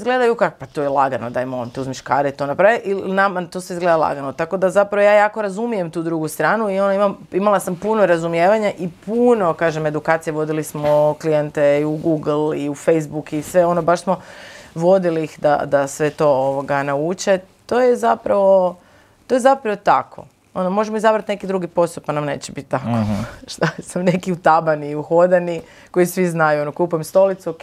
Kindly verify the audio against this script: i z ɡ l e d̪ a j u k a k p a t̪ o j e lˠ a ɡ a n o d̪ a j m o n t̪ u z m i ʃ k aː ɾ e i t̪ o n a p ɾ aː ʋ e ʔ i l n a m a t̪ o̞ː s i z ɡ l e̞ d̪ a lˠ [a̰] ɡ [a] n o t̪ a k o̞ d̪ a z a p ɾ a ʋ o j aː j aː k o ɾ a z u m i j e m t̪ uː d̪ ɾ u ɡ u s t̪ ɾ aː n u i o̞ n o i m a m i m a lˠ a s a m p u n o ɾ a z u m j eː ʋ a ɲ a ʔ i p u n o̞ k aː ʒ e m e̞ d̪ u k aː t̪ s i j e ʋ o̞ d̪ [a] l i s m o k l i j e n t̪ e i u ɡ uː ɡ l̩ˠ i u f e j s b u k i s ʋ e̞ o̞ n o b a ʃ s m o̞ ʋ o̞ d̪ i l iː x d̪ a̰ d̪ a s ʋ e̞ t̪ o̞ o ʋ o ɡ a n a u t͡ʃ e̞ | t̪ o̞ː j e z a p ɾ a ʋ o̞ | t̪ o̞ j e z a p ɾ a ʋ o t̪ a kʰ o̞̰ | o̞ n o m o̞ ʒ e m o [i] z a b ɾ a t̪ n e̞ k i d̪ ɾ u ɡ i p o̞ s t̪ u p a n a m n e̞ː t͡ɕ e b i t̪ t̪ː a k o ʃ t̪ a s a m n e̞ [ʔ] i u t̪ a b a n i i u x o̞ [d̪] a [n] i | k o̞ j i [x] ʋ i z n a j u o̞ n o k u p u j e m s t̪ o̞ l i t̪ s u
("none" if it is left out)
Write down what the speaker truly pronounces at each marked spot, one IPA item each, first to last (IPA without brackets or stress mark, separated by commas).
a̰, a, i, i, k, d̪, n, s